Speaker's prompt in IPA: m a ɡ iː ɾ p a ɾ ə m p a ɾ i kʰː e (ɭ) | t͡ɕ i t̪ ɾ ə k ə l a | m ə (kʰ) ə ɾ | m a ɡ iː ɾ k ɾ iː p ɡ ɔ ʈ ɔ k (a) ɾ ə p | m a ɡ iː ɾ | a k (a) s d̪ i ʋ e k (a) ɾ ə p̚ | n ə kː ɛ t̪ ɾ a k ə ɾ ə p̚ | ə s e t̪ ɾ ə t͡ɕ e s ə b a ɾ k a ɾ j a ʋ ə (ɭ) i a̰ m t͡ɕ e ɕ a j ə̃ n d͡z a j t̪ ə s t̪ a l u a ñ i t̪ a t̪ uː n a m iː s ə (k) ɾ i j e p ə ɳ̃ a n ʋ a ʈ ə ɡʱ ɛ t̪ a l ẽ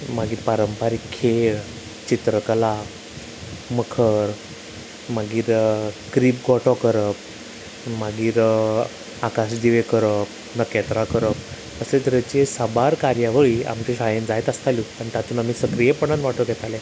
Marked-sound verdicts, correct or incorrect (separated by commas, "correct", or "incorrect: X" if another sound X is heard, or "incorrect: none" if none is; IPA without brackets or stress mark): correct, correct, incorrect: ə, correct, incorrect: ə, correct, correct